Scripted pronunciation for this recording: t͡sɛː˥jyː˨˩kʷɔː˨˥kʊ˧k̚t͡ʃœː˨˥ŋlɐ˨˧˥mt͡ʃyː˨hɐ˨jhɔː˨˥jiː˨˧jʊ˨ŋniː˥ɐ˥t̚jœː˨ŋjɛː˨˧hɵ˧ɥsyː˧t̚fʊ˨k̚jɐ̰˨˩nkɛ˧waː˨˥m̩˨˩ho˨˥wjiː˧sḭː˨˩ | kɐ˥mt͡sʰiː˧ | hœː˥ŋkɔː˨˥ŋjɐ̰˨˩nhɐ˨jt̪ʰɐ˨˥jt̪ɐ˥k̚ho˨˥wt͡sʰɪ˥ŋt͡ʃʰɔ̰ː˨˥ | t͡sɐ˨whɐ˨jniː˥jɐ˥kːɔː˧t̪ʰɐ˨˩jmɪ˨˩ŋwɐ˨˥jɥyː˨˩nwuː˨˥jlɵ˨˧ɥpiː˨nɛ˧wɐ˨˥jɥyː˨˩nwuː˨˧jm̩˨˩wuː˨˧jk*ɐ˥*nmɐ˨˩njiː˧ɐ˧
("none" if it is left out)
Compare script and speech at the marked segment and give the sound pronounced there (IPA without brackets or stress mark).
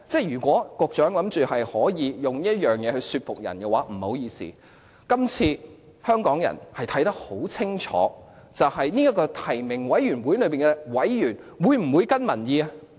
ɐ˥